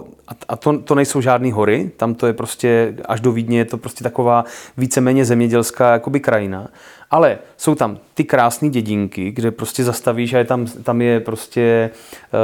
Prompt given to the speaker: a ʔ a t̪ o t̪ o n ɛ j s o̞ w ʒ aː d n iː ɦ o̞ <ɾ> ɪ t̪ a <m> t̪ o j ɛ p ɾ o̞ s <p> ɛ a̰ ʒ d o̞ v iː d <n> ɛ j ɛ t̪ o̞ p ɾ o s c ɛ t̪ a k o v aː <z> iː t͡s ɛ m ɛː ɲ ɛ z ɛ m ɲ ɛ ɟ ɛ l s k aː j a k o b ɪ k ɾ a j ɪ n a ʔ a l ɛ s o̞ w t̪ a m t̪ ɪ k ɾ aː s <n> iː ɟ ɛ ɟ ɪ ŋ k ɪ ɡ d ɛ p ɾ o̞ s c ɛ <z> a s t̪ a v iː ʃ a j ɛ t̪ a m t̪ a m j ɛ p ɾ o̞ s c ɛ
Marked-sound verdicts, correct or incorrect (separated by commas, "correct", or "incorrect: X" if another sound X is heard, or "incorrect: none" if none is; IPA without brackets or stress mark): correct, correct, incorrect: c, incorrect: ɲ, incorrect: v, correct, correct